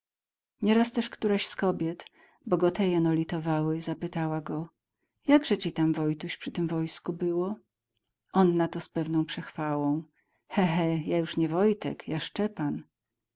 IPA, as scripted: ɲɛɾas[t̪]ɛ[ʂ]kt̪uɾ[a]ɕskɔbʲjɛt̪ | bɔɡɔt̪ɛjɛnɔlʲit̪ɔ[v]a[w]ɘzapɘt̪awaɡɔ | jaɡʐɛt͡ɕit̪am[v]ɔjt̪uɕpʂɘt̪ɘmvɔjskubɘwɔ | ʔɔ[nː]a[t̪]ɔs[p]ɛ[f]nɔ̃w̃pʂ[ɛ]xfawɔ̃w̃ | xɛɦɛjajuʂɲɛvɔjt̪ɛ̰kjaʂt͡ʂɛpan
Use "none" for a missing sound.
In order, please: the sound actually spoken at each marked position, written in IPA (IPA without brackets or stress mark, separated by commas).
t̪, ʂ, a, v, w, v, nː, t̪, p, v, ɛ